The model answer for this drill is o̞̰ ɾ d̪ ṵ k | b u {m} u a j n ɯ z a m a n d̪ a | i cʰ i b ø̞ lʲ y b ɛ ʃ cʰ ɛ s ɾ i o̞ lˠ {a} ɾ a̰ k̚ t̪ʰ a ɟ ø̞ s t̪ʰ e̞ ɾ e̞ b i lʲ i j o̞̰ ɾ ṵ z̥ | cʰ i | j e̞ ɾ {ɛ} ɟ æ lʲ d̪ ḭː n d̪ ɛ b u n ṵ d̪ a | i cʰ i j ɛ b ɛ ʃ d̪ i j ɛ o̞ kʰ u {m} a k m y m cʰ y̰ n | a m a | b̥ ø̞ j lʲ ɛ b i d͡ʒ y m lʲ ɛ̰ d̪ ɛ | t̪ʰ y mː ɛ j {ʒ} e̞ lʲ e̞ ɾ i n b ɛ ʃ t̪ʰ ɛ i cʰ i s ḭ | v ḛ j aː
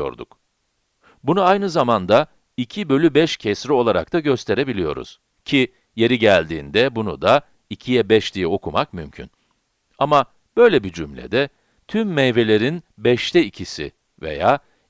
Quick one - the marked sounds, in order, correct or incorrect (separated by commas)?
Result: incorrect, correct, incorrect, correct, incorrect